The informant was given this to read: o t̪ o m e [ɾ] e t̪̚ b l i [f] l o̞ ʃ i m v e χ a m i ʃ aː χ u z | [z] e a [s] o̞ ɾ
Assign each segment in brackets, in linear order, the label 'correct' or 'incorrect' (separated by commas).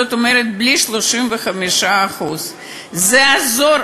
correct, incorrect, correct, incorrect